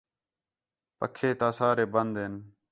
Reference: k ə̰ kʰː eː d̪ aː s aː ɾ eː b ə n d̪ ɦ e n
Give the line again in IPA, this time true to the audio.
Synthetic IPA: p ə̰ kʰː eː t̪ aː s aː ɾ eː b ə n d̪ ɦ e n